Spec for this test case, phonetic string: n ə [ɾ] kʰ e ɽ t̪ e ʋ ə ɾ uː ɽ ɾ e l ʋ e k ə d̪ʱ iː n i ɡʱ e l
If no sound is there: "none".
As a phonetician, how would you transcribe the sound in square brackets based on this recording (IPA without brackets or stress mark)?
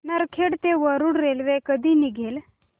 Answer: ɾ